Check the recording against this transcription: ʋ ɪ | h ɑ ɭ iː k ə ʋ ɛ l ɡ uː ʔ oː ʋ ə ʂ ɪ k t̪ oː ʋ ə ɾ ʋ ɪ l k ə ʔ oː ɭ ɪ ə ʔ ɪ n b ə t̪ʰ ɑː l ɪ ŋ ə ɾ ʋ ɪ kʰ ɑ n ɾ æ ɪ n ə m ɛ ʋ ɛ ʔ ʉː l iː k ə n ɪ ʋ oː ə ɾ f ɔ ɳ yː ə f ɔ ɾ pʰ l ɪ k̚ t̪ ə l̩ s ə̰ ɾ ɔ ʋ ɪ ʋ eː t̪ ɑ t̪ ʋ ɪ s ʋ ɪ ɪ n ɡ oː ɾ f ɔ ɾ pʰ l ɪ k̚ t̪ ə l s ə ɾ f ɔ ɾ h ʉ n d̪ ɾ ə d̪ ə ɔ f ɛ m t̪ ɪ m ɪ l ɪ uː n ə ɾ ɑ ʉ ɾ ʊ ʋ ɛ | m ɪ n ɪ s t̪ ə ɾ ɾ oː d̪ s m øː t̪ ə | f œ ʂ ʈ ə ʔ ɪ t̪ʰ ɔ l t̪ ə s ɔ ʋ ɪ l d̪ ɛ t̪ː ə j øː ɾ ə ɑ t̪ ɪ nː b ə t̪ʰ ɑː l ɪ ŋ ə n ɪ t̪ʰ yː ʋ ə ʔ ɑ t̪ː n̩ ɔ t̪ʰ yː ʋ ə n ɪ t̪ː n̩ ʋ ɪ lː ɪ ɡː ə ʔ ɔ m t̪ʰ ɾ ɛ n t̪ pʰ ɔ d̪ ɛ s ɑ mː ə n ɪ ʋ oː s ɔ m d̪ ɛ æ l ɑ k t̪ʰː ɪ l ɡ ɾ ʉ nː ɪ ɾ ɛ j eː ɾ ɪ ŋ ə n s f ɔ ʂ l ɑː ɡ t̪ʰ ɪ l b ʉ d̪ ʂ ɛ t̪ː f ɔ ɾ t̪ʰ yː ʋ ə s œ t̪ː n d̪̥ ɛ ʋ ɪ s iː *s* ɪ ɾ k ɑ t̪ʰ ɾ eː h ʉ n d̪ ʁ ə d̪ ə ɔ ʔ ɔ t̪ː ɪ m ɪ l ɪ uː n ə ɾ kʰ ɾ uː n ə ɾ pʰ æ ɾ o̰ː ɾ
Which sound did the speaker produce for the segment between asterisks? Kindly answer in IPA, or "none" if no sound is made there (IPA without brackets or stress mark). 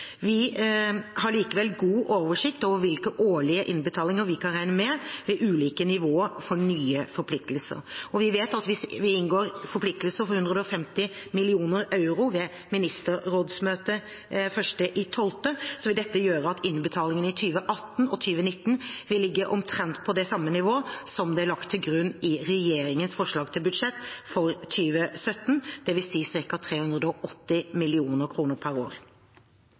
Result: s